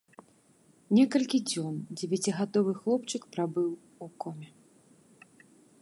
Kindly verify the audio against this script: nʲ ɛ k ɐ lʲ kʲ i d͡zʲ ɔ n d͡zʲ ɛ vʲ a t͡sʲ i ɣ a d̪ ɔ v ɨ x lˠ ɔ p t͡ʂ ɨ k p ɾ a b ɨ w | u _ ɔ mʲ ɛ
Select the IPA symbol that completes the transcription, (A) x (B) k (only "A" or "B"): B